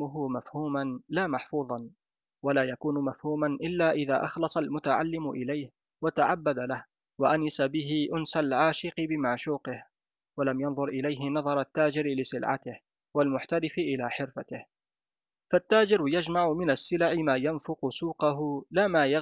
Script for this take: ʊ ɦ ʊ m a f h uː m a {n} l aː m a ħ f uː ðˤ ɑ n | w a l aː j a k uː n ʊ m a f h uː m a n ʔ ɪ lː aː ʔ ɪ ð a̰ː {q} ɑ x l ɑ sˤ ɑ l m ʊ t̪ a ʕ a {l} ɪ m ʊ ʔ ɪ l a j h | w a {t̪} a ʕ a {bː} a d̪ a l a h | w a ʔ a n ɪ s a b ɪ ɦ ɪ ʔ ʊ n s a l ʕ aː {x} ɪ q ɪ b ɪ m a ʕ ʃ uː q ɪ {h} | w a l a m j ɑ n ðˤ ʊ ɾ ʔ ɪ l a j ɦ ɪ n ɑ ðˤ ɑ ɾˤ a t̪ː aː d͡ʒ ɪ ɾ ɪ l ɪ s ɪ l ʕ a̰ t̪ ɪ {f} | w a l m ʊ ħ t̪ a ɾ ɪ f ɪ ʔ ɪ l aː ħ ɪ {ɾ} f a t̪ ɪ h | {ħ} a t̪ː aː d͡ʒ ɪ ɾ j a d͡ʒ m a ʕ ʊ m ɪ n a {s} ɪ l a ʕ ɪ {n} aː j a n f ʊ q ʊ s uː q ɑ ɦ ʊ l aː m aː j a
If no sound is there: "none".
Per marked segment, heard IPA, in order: n, ʔ, lː, t̪, bː, ʃ, h, h, ɾ, f, sː, m

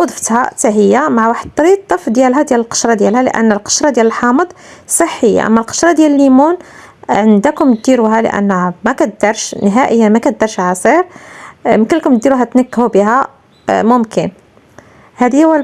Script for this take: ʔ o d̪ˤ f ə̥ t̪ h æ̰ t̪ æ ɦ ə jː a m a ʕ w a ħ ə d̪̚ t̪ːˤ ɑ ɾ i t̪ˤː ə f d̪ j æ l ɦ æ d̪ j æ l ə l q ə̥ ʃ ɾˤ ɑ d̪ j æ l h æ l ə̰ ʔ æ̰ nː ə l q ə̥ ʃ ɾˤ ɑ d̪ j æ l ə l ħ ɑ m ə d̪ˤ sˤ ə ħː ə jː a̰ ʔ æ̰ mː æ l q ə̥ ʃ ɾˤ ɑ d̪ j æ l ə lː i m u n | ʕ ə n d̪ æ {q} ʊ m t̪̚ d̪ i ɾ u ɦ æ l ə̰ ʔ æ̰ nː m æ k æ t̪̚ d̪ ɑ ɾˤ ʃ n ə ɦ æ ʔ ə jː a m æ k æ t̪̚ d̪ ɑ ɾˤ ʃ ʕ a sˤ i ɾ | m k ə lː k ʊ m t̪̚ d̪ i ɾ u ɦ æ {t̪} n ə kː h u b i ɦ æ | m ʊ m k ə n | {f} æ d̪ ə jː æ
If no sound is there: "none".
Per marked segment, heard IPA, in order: k, t̪, h

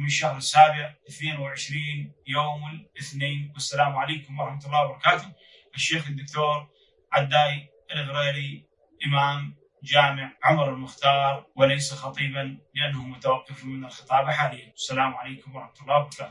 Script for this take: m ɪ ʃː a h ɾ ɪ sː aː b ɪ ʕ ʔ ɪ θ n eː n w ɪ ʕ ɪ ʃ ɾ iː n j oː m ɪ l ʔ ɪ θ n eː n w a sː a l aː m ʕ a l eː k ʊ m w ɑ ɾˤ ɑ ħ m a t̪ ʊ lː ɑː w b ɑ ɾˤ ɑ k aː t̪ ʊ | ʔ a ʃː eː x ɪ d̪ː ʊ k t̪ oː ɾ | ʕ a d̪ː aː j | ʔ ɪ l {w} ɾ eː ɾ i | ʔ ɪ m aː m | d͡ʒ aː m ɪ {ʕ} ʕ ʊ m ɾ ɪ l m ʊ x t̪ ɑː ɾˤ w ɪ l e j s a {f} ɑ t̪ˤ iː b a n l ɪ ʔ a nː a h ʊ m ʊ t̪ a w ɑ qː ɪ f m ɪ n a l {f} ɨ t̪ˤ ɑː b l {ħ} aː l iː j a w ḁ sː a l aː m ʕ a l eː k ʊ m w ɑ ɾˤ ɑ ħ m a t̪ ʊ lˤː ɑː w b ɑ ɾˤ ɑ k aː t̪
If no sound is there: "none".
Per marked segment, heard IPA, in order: ɣ, ʕ, x, x, ħ

